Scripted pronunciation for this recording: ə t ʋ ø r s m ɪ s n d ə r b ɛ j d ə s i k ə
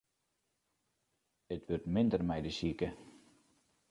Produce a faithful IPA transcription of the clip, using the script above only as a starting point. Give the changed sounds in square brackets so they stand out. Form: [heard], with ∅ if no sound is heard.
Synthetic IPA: ə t ʋ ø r [t] m ɪ [∅] n d ə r [m] ɛ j d ə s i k ə